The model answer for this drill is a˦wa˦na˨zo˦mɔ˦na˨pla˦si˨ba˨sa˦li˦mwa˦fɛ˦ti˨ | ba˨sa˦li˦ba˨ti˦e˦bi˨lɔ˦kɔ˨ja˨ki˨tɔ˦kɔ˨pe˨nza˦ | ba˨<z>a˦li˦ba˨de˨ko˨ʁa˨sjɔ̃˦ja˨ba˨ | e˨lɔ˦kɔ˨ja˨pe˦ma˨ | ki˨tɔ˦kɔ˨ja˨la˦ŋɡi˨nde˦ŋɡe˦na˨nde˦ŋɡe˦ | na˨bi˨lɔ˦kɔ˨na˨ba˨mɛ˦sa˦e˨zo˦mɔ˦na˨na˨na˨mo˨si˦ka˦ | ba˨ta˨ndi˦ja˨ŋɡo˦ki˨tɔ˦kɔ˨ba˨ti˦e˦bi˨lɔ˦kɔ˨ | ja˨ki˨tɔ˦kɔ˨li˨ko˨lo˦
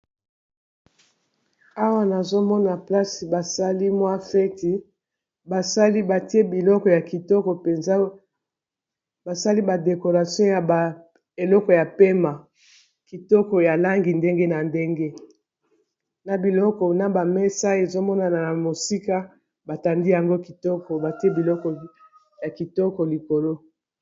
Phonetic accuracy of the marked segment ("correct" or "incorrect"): incorrect